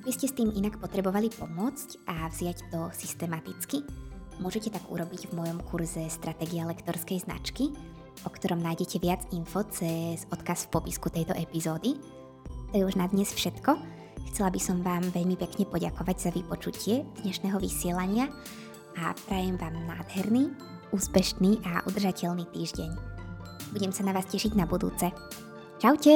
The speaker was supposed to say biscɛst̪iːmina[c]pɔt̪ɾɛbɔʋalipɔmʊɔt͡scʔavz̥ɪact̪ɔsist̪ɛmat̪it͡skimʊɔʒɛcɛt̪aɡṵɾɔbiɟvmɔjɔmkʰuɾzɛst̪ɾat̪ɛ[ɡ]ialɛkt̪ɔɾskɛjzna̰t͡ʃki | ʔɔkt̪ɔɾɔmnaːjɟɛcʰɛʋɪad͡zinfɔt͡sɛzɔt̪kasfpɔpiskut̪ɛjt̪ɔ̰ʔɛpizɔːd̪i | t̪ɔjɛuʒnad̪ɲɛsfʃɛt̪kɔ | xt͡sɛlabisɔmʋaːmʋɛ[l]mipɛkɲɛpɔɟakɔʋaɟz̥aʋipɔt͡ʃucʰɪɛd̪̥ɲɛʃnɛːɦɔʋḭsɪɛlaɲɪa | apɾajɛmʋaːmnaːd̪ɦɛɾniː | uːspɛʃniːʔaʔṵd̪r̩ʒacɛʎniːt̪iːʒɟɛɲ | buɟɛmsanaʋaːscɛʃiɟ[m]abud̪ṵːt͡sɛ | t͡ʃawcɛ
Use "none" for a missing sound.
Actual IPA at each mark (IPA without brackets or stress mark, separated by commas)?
k, ɡ, ʎ, n